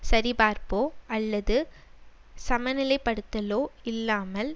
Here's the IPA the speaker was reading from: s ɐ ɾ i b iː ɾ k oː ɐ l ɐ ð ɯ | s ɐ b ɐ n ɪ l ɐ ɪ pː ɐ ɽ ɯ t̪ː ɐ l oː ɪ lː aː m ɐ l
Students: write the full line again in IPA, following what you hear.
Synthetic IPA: s ɐ ɾ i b aː ɾ p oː ɐ lː ɐ ð ɯ | s ɐ m ɐ n ɪ l ɐ ɪ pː ɐ ɽ ɯ t̪ː ɐ l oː ɪ lː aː m ɐ l